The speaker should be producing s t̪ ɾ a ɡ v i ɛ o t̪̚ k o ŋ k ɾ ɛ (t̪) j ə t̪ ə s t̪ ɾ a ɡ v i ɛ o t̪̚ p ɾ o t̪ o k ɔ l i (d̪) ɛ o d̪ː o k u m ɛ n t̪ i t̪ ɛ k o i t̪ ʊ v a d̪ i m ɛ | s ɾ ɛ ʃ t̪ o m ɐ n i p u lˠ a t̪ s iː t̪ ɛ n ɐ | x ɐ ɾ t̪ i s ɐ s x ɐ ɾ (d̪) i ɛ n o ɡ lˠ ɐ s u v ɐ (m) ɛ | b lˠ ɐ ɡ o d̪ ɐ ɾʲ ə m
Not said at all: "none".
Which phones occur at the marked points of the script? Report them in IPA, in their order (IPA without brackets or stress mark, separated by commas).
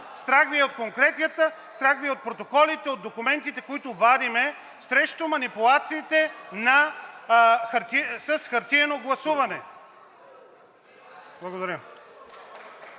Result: t̪, t̪, t̪, n